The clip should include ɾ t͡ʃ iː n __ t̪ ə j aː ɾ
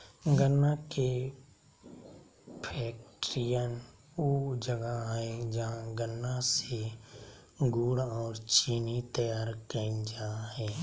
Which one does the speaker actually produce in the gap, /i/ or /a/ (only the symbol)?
i